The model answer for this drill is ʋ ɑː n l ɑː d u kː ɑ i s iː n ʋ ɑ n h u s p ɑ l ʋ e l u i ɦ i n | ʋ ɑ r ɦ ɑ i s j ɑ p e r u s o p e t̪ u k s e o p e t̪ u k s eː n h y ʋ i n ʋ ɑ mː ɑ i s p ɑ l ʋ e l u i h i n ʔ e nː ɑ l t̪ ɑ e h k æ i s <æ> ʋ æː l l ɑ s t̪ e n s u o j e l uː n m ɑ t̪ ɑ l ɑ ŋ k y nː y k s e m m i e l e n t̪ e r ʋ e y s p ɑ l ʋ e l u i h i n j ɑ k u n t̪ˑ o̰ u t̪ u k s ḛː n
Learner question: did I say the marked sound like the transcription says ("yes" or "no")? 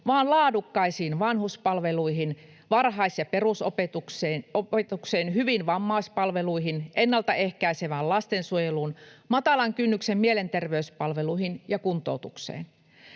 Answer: no